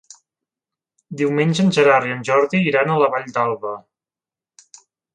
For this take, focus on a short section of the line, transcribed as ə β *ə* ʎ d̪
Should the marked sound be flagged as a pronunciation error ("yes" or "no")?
yes